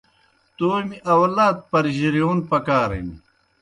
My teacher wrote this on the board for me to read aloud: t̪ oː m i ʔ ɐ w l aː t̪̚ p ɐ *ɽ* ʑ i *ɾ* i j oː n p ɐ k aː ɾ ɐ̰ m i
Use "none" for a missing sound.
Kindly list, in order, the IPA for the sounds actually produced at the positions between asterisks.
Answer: ɾ, ɾ

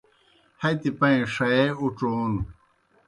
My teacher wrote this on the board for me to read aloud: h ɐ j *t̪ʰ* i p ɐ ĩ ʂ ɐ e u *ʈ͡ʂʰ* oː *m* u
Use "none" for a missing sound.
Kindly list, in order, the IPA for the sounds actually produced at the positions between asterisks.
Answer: t̪, ʈ͡ʂ, n

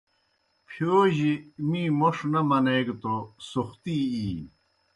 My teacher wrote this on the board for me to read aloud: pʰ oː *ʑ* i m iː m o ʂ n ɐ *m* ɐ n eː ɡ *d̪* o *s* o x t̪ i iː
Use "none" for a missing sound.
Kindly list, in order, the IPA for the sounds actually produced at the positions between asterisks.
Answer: ʑ, m, t̪, s

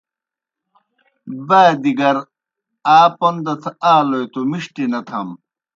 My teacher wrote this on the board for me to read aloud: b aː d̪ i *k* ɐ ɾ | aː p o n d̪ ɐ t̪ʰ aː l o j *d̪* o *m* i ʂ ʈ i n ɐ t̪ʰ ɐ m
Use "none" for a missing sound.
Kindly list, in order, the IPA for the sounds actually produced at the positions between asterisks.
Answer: ɡ, t̪, m

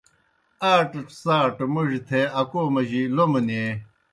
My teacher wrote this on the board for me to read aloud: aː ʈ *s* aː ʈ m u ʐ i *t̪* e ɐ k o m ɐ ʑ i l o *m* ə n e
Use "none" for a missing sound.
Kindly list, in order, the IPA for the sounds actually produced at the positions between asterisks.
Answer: s, t̪ʰ, m

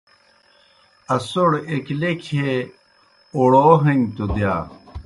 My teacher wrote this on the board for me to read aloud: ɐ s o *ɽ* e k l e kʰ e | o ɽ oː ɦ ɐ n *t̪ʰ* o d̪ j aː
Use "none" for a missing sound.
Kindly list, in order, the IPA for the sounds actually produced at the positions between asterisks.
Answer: ɽ, t̪

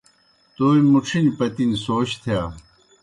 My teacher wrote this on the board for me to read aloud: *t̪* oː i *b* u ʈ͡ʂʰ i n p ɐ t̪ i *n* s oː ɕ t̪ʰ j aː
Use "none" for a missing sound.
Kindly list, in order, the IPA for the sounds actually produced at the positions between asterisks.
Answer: t̪, m, n

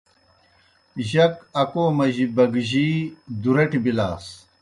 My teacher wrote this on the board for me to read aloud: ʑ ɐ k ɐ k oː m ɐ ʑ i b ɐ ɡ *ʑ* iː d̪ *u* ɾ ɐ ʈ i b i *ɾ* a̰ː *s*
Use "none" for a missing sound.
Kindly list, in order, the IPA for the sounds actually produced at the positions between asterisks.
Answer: ʑ, u, l, s

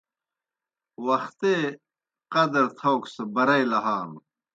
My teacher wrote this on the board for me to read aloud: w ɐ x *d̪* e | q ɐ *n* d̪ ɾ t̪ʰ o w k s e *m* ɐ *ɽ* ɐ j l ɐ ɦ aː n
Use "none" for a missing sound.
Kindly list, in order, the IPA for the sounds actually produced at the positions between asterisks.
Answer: t̪, none, b, ɾ

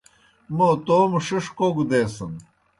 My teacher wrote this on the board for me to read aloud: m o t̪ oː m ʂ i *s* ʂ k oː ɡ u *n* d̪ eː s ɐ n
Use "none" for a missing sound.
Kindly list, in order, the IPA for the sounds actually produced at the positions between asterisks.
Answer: none, none

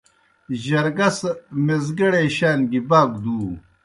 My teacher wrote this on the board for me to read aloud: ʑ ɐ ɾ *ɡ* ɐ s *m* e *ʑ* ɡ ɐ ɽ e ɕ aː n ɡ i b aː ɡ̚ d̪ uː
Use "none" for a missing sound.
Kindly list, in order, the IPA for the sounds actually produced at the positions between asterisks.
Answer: ɡ, m, z

